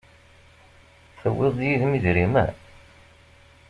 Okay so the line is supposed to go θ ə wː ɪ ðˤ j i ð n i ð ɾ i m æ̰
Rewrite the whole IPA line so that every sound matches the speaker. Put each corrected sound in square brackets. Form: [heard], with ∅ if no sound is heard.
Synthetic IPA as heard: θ ə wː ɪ ðˤ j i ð [m] i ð ɾ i m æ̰